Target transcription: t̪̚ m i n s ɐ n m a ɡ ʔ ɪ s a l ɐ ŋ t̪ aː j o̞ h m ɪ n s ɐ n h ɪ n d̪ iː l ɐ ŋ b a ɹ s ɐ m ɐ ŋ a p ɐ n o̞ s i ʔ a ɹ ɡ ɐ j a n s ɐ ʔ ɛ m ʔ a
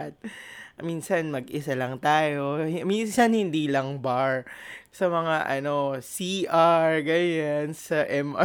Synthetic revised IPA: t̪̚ m i n s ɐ n m ɐ ɡ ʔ ɪ s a l ɐ ŋ t̪ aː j o̞ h m i n s ɐ n h ɪ n d̪ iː l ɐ ŋ b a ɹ s ɐ m ɐ ŋ a ʔ ɐ n o̞ s i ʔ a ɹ ɡ ɐ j a n s ɐ ʔ ɛ m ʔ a